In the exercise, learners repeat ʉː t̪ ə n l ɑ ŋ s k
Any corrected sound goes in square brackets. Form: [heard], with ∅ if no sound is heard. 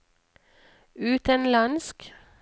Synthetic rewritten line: ʉː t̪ ə n l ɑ [n] s k